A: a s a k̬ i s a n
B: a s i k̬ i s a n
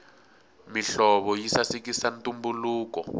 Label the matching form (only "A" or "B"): B